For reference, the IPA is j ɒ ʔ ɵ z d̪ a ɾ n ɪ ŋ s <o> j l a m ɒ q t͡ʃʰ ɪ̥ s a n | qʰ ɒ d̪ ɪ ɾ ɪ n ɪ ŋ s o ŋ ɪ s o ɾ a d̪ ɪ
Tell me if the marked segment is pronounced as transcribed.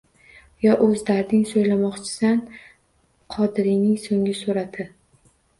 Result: yes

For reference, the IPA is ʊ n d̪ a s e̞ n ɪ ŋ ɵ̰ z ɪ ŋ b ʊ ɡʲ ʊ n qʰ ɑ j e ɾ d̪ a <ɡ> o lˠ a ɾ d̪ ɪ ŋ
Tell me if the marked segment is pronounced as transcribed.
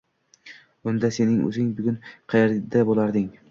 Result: no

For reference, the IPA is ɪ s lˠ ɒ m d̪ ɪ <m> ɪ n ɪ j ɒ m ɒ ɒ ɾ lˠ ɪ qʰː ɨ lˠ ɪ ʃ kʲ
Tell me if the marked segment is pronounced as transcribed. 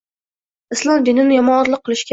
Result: no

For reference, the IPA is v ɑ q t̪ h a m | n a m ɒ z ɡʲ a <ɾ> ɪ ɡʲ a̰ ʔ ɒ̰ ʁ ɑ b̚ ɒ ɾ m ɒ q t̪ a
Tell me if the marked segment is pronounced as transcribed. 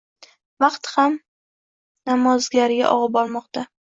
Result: yes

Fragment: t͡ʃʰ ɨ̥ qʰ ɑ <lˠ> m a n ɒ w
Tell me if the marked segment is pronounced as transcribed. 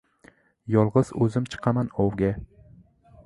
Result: no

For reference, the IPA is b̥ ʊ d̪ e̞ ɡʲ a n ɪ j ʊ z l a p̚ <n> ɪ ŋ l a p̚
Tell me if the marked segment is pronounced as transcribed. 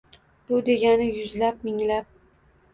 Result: no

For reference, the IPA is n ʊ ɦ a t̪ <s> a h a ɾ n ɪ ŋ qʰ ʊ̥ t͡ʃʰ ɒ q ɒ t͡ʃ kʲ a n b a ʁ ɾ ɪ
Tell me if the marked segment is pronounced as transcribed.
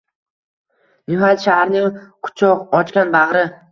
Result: no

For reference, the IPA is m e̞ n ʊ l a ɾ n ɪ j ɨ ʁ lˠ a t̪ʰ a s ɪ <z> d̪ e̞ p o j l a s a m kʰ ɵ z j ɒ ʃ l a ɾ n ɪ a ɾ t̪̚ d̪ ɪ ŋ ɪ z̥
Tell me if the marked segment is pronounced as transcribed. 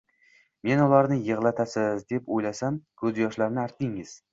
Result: yes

